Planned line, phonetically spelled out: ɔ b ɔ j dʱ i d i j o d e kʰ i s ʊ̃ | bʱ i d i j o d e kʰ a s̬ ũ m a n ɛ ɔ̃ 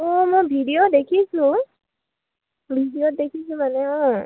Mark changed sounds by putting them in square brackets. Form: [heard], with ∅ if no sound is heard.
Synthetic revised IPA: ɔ [m] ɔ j [bʱ] i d i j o d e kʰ i s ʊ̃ | bʱ i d i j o d e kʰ [i] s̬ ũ m a n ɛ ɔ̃